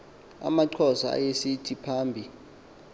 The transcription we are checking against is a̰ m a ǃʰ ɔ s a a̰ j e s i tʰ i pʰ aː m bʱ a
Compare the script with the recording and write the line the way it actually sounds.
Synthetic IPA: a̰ m a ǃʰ ɔ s a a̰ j e s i tʰ i pʰ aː m bʱ i